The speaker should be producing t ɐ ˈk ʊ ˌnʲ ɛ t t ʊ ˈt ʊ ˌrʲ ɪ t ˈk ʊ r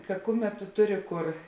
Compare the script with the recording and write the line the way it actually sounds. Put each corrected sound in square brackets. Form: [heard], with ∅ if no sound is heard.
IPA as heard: [k] ɐ ˈk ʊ [ˌmʲ] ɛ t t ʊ ˈt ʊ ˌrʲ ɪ [∅] ˈk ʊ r